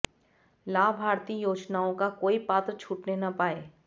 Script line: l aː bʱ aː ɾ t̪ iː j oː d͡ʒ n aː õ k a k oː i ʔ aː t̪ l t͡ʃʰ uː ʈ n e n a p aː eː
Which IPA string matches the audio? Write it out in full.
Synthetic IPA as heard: l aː bʱ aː ɾ t̪ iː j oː d͡ʒ n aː õ k a k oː i p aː t̪ ɾ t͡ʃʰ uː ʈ n e n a p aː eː